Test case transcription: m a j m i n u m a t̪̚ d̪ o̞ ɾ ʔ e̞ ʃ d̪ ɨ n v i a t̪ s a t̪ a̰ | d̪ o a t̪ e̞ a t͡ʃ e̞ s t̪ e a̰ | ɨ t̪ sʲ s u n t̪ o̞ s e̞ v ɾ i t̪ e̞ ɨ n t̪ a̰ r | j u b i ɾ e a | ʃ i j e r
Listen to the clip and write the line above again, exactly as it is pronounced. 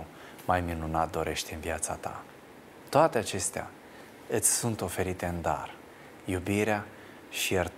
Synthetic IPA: m a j m i n u n a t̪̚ d̪ o̞ ɾ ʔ e̞ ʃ t̪ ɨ n v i a t̪ s a t̪ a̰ | t̪ o a t̪ e̞ a t͡ʃ e̞ s t̪ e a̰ | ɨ t̪ sʲ s u n t̪ o̞ f e̞ ɾ i t̪ e̞ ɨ n d̪ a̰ r | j u b i ɾ e a | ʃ i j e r